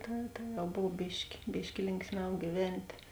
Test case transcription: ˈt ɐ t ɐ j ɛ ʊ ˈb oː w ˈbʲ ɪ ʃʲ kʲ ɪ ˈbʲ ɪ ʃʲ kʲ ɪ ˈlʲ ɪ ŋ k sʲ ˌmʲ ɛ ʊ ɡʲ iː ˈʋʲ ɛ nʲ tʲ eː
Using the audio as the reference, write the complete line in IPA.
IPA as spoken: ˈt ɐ t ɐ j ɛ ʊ ˈb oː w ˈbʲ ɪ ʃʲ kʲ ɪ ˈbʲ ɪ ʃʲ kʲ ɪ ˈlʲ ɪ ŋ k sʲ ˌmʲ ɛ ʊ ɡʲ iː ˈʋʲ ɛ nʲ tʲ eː